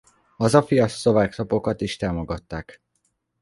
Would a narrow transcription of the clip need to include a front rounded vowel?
no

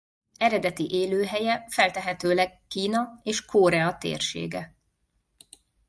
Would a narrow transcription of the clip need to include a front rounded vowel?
yes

